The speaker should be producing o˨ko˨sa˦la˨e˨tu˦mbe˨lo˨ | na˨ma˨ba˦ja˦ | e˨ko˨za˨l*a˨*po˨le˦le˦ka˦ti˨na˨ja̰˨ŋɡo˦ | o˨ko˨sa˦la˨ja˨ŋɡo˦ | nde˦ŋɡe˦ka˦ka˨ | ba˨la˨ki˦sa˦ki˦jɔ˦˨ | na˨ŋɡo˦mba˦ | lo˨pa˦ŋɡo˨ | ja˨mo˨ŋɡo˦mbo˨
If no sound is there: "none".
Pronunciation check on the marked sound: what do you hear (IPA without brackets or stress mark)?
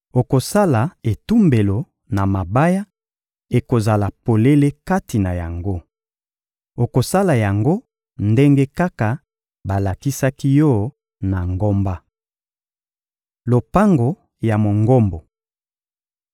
a˨